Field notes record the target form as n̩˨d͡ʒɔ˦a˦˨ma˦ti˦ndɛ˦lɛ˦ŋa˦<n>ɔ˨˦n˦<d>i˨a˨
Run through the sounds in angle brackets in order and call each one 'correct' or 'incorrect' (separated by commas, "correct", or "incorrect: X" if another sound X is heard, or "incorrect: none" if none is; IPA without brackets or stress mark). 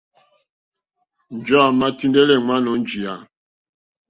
correct, incorrect: d͡ʒ